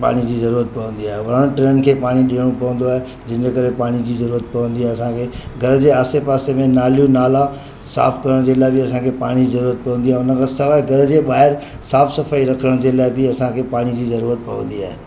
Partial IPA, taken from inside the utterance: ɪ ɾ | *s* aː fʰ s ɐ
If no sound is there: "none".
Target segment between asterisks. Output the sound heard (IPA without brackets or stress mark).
s